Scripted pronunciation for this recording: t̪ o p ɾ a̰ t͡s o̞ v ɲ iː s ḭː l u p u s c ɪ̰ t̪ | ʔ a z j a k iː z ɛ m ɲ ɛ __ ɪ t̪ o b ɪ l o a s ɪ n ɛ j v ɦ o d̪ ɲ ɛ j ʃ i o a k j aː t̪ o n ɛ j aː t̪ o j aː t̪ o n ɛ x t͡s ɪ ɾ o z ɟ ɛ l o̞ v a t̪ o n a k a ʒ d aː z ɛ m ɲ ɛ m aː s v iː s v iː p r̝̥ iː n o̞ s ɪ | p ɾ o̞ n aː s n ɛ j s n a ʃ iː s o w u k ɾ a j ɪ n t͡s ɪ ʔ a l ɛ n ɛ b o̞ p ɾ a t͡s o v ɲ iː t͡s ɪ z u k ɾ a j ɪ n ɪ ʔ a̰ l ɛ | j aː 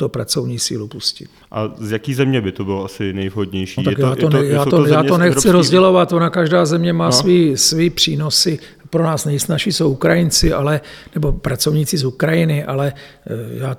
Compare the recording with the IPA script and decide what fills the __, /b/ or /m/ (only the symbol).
b